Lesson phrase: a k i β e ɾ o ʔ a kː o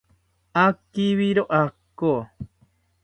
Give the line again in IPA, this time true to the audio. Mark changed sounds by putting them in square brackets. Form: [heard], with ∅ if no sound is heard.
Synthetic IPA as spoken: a k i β [i] ɾ o ʔ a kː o